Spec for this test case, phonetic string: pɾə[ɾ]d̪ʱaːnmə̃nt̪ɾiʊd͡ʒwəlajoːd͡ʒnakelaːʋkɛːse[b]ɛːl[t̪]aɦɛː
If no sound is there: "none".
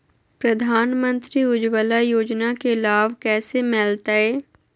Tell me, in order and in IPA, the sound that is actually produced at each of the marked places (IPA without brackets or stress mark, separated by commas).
none, m, t̪